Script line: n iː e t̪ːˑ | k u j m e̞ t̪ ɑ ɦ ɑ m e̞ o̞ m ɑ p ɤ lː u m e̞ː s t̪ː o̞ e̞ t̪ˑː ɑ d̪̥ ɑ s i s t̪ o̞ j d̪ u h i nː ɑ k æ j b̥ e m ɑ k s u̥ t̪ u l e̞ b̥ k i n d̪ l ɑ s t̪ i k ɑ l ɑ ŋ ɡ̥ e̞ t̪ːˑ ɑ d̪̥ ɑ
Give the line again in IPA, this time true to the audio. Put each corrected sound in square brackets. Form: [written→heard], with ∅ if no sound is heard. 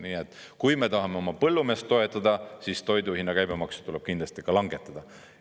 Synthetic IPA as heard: n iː e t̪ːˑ | k u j m e̞ t̪ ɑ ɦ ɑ m e̞ o̞ m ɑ p ɤ lː u m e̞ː s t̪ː o̞ e̞ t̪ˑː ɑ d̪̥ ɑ s i s t̪ o̞ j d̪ u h i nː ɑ k æ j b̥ e m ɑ k s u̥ t̪ u l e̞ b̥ k i n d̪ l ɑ s t̪ i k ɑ l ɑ ŋ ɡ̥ e̞ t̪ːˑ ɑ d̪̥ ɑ